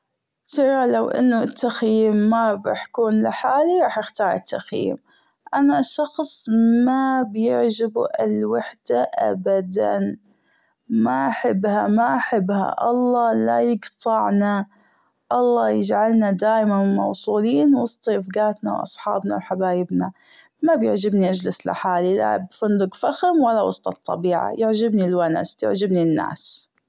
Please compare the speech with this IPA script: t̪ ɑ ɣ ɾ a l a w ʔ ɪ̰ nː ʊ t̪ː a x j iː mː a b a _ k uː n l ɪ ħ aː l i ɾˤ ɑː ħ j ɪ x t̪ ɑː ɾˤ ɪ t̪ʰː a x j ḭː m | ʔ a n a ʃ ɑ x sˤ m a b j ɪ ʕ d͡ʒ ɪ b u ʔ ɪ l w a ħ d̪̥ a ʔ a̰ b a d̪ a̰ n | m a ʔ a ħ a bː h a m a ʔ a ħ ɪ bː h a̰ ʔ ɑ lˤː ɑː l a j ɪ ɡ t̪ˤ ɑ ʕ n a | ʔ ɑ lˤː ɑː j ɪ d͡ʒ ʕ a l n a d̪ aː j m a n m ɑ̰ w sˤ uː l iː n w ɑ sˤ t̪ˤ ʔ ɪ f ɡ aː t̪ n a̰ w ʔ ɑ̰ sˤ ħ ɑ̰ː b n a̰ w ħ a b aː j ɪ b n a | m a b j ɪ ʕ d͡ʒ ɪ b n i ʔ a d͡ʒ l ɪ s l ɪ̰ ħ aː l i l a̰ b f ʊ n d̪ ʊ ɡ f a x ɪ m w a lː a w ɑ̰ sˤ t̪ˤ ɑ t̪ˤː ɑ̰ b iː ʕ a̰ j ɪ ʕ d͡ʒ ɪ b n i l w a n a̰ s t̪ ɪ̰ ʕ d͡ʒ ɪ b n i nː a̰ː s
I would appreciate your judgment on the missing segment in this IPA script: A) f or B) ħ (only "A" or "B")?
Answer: B